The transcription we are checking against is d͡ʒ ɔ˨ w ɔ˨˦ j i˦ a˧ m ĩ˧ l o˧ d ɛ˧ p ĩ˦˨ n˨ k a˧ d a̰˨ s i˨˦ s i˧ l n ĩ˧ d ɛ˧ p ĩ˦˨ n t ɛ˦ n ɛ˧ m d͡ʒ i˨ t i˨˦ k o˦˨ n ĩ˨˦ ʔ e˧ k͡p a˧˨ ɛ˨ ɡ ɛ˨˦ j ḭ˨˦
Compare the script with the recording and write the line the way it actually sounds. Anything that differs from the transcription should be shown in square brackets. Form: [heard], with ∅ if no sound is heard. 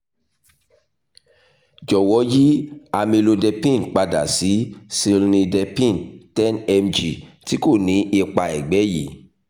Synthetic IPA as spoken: d͡ʒ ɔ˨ w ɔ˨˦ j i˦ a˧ m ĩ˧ l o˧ d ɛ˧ p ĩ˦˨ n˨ [k͡p] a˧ d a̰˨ s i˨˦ s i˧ l n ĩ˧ d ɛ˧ p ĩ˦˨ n t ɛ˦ n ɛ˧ m d͡ʒ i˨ t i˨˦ k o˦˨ n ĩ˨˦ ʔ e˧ k͡p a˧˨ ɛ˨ [ɡ͡b] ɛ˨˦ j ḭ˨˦